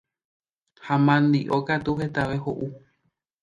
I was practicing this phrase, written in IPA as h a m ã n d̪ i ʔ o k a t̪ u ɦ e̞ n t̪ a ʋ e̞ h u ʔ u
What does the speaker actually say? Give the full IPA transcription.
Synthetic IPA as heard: h a m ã n d̪ i ʔ o k a t̪ u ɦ e̞ t̪ a ʋ e̞ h o ʔ u